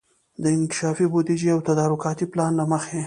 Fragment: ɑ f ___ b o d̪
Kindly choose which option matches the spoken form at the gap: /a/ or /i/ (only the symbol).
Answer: i